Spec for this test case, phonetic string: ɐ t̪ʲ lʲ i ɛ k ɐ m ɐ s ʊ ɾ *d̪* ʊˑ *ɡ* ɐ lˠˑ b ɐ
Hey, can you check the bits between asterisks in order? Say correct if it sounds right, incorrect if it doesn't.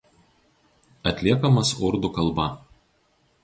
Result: correct, incorrect: k

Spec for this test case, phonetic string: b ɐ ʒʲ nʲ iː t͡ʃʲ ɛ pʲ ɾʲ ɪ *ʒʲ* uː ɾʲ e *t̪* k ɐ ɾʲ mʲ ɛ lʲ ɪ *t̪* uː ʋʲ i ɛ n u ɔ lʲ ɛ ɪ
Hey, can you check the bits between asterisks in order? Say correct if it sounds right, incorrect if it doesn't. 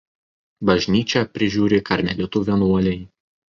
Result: correct, incorrect: none, correct

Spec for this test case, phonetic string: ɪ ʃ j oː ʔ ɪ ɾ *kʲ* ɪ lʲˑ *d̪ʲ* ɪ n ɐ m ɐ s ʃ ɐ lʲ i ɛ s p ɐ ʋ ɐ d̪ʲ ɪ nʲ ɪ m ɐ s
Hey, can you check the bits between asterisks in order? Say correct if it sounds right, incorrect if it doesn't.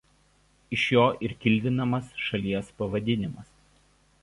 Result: correct, correct

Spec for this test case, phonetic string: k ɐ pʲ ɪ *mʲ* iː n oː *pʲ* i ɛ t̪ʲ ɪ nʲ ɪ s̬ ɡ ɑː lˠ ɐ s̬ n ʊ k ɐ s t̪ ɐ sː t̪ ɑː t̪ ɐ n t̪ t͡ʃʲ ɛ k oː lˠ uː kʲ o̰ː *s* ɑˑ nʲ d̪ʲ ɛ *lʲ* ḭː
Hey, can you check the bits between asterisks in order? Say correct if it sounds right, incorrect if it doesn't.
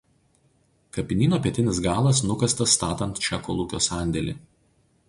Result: incorrect: nʲ, correct, correct, correct

